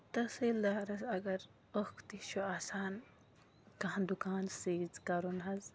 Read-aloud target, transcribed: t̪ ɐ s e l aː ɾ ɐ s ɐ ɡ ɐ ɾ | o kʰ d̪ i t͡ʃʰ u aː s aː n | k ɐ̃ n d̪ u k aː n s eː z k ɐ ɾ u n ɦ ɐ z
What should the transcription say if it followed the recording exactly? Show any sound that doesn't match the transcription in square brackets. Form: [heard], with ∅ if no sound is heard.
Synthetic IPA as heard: t̪ ɐ s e l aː ɾ ɐ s ɐ ɡ ɐ ɾ | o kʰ [t̪] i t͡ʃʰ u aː s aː n | k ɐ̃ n d̪ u k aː n s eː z k ɐ ɾ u n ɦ ɐ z

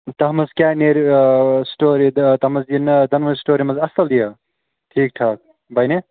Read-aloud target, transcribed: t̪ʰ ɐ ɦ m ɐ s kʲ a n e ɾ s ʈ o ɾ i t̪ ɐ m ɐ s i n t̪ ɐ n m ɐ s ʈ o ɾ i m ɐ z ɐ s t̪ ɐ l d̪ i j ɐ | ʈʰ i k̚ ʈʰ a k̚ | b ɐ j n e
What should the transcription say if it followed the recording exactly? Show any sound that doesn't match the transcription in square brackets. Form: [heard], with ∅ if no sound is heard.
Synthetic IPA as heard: [t̪] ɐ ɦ m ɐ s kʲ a n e ɾ s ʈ o ɾ i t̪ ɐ m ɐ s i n [d̪] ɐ n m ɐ s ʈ o ɾ i m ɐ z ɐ s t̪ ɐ l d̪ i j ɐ | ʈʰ i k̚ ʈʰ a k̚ | b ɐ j n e

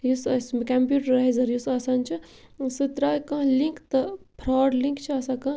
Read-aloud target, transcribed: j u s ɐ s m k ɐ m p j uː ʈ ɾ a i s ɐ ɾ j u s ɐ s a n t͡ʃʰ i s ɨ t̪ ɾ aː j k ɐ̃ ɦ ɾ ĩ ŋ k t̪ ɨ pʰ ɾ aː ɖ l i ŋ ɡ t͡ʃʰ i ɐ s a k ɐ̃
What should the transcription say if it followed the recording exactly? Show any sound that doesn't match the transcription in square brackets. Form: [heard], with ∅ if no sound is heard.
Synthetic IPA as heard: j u s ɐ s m k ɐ m p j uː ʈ ɾ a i [z] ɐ ɾ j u s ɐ s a n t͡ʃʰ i s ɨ t̪ ɾ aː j k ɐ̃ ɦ [l] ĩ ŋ k t̪ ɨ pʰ ɾ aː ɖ l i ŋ [k] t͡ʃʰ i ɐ s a k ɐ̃

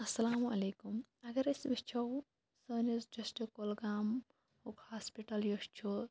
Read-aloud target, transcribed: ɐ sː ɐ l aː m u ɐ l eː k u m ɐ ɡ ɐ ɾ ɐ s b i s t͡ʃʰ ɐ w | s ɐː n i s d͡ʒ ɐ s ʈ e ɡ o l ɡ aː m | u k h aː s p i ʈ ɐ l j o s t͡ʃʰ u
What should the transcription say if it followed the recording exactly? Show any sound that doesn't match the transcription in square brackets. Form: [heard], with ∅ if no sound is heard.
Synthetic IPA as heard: ɐ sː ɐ l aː m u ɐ l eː k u m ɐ ɡ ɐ ɾ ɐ s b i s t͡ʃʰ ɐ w | s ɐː n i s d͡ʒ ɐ s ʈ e [k] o l ɡ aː m | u k h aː s p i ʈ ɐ l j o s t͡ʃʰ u

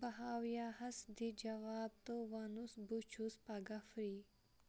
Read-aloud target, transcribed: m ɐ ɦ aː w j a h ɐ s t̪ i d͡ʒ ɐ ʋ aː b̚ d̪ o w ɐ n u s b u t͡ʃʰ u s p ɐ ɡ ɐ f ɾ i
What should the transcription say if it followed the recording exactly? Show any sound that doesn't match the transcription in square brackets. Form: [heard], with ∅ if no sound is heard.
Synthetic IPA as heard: [b] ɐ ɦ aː w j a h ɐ s [d̪] i d͡ʒ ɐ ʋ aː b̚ [t̪] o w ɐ n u s b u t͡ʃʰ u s p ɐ ɡ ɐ f ɾ i

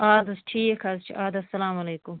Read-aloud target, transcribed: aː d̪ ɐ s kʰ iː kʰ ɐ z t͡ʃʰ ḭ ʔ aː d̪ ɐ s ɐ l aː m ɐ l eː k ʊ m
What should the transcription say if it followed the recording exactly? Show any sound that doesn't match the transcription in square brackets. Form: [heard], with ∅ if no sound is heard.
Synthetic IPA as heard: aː d̪ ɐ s [ʈʰ] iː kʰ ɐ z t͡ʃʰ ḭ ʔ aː d̪ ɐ s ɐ l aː m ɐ l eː k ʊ m

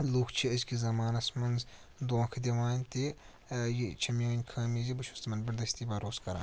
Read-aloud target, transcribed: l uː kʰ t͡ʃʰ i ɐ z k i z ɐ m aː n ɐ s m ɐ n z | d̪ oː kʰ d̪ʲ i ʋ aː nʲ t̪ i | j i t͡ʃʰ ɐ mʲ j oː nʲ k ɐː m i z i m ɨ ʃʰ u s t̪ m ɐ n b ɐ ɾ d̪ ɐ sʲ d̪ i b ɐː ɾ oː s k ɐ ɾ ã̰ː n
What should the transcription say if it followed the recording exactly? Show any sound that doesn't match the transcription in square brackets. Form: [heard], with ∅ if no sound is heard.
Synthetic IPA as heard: l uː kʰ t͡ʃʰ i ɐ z k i z ɐ m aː n ɐ s m ɐ n z | d̪ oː kʰ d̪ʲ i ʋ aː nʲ t̪ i | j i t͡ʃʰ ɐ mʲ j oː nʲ [kʰ] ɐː m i z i [b] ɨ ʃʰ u s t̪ m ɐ n b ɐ ɾ d̪ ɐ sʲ [t̪] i b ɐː ɾ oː s k ɐ ɾ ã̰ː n

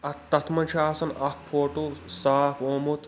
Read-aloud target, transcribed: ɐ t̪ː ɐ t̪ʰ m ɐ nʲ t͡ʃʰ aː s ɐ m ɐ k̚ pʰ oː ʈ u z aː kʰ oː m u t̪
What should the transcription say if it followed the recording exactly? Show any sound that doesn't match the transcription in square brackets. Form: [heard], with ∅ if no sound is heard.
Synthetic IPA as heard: ɐ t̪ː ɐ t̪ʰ m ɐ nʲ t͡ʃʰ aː s ɐ [n] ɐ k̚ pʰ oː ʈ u [s] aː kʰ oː m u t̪

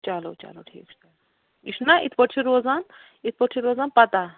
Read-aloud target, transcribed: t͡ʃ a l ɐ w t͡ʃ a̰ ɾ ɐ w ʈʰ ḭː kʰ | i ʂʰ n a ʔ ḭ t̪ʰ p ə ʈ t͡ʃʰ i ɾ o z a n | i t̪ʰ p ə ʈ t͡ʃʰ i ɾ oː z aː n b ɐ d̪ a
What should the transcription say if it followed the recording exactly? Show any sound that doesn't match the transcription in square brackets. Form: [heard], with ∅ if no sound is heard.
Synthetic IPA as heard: t͡ʃ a l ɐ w t͡ʃ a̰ [l] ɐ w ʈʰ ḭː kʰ | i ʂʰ n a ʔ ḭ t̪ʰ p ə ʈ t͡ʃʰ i ɾ o z a n | i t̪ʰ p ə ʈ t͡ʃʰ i ɾ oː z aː n [p] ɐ [t̪] a

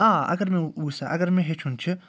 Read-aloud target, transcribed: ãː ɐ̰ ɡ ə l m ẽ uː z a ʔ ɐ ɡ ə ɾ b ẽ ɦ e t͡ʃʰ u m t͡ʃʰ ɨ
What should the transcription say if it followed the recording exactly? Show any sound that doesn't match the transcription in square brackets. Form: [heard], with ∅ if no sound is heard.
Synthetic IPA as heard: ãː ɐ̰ ɡ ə [ɾ] m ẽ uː [s] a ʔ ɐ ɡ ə ɾ [m] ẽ ɦ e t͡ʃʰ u [n] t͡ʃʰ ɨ

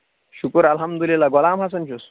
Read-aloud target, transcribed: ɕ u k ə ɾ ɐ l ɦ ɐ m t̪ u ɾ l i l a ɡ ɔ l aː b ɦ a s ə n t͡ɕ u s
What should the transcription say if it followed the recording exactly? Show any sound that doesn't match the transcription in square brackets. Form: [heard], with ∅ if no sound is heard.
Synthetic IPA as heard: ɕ u k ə ɾ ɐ l ɦ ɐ m [d̪] u [∅] l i l a ɡ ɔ l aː [m] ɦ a s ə n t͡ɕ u s

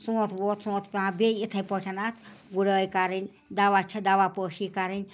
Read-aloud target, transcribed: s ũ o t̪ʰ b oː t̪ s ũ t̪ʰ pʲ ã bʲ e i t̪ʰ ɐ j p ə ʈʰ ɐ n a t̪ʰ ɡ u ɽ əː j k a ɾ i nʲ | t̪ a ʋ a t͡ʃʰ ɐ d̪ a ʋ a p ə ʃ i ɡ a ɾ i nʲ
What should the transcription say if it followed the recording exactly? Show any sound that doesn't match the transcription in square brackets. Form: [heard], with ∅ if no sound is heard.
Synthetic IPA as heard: s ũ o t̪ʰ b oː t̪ s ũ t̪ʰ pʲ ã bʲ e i t̪ʰ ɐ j p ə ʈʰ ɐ n a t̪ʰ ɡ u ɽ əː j k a ɾ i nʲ | [d̪] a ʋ a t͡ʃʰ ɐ d̪ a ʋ a p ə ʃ i [k] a ɾ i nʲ

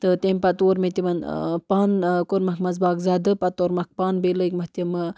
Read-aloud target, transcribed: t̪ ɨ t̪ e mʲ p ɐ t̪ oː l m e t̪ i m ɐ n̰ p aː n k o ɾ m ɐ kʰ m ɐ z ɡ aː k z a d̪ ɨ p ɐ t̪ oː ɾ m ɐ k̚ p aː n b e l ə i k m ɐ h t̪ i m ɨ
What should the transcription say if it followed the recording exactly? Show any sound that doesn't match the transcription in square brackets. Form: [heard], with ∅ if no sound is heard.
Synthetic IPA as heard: t̪ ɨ t̪ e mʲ p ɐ t̪ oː [ɾ] m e t̪ i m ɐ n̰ p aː n k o ɾ m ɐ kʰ m ɐ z [b] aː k z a d̪ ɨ p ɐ t̪ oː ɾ m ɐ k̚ p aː n b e l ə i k m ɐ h t̪ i m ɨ

